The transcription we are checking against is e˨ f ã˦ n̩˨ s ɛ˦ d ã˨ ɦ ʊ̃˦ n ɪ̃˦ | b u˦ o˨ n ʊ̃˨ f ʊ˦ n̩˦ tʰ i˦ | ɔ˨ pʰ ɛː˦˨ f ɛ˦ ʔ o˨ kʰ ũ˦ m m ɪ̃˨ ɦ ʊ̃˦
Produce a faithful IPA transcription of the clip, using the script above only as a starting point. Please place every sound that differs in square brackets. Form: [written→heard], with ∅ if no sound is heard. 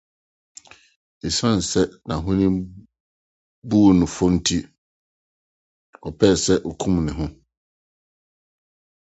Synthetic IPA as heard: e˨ [f→s] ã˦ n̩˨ s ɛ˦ [d→n] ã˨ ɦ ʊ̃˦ n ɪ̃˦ | b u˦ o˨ n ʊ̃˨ f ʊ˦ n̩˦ tʰ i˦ | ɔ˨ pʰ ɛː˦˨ [f→s] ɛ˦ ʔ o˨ kʰ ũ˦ m [m→n] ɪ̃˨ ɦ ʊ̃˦